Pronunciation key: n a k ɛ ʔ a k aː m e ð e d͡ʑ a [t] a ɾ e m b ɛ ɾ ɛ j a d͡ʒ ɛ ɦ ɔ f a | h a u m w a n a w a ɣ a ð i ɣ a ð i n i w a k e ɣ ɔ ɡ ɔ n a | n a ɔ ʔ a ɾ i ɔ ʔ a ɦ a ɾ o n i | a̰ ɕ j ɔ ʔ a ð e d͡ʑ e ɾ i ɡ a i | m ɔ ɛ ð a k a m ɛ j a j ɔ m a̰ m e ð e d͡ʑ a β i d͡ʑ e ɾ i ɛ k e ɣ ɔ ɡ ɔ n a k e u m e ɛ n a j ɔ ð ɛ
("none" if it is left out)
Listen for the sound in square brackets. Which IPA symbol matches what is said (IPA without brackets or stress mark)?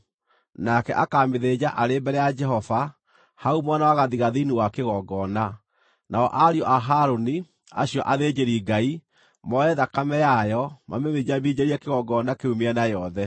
ʔ